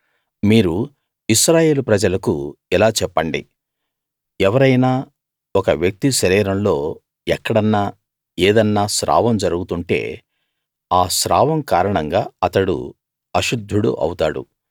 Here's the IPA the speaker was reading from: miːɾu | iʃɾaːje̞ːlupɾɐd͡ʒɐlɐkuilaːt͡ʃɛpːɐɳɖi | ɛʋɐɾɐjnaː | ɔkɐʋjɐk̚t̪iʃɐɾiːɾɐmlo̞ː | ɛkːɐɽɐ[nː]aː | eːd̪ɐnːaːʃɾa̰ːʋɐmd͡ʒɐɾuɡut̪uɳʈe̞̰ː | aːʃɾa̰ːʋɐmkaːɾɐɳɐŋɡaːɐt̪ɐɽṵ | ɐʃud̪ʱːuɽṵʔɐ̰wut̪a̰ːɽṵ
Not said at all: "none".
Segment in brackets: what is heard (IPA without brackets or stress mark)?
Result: nː